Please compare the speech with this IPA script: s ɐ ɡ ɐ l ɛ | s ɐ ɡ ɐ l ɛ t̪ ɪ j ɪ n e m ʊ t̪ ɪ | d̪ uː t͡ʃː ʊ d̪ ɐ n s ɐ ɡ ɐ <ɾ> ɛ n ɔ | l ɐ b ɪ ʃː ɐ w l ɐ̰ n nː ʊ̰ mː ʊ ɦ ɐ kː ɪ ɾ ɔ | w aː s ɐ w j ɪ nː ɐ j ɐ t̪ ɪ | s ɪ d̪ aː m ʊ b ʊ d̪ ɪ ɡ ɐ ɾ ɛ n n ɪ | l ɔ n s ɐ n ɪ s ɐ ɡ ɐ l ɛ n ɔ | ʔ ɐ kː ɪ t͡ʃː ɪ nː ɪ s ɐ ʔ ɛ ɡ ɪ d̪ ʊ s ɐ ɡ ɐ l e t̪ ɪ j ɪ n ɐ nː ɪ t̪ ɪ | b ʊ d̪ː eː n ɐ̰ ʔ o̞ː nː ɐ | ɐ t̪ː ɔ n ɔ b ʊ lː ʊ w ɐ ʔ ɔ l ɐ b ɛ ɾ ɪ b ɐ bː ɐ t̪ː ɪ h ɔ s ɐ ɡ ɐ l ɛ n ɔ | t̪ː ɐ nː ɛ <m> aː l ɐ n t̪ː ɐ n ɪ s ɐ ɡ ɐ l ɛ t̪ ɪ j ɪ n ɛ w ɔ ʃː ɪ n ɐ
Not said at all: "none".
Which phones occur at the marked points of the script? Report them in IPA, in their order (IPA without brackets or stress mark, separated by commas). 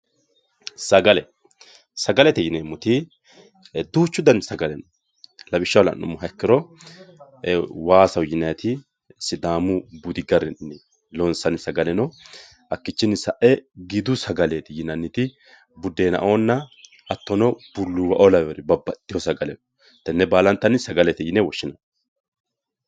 l, b